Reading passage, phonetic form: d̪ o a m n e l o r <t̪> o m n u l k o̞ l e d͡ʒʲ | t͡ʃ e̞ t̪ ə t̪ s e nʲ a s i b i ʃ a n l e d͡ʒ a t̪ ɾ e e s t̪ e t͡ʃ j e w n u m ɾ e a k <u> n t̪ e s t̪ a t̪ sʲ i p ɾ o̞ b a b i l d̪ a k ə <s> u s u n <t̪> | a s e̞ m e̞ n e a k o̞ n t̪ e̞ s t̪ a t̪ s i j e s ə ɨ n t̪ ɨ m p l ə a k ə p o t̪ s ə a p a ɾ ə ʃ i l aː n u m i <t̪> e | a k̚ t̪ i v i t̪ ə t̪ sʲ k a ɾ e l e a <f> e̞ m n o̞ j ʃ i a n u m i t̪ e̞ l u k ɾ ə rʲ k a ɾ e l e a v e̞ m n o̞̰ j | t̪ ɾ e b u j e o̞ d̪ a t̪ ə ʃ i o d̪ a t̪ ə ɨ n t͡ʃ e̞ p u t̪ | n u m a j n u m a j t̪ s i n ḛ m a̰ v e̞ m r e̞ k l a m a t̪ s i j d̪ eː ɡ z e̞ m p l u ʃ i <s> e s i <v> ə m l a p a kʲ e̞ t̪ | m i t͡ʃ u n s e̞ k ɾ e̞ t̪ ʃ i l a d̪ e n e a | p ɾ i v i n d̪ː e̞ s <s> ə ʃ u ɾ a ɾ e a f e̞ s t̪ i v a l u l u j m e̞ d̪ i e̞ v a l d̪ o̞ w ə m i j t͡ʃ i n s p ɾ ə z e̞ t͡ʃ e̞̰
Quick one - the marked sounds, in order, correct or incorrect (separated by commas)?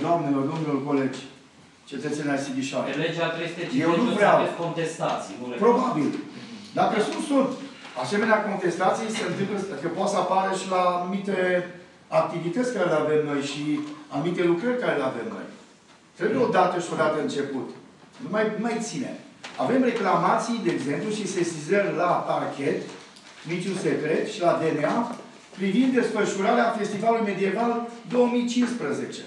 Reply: incorrect, incorrect, correct, correct, correct, incorrect, correct, incorrect, incorrect